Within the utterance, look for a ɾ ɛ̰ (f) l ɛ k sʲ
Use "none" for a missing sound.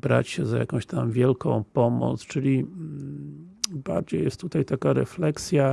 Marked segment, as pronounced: f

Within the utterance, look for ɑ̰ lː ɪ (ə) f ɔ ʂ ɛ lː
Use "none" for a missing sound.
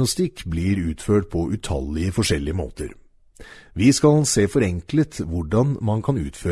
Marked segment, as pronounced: ə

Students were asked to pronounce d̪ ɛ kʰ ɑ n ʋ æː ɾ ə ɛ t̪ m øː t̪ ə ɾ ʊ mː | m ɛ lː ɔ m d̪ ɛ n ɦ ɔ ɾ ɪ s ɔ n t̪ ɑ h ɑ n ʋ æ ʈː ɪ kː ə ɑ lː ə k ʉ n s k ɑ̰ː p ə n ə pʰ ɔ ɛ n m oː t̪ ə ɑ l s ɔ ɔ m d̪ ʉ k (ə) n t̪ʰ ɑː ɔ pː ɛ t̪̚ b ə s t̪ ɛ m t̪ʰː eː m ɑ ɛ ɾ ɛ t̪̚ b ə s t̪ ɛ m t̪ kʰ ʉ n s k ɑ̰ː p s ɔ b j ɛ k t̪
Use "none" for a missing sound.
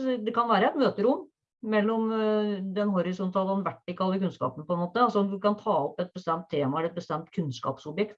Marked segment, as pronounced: ɑ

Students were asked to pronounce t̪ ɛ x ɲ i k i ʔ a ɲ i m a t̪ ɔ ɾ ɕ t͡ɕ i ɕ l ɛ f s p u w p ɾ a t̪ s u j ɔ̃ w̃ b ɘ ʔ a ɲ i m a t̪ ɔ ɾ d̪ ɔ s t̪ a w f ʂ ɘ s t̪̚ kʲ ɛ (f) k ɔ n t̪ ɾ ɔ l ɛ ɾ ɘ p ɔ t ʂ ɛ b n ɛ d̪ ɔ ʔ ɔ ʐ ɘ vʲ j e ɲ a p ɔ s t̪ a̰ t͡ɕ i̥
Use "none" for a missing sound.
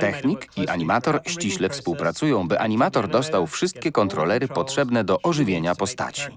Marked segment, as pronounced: none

